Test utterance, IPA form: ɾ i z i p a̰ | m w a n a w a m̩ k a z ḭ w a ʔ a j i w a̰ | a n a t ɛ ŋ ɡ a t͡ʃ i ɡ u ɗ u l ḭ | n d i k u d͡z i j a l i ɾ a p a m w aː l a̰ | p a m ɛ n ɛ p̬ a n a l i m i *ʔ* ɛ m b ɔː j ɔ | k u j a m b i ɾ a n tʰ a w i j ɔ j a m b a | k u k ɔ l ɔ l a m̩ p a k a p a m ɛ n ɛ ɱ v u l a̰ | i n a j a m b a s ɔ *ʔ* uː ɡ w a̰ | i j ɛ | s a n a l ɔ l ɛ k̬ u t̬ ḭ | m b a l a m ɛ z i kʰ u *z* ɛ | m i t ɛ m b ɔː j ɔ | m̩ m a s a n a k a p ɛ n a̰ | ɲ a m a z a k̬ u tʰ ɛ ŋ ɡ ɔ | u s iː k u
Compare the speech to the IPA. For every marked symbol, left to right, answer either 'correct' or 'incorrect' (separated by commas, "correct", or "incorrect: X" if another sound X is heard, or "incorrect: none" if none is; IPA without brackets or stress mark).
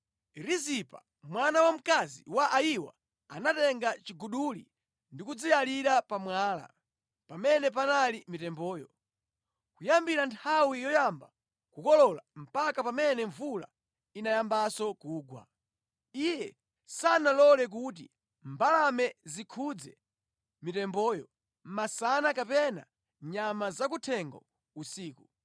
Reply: incorrect: t, incorrect: k, incorrect: d͡z